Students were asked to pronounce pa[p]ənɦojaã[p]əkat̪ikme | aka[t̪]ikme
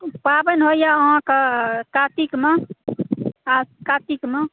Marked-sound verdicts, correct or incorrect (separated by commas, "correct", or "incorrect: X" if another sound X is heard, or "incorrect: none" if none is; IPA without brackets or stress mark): incorrect: b, incorrect: k, correct